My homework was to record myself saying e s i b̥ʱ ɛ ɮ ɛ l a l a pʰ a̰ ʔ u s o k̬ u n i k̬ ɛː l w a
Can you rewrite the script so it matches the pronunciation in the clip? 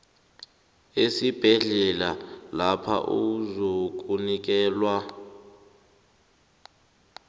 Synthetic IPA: e s i b̥ʱ ɛ ɮ ɛ l a l a pʰ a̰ ʔ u z o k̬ u n i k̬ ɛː l w a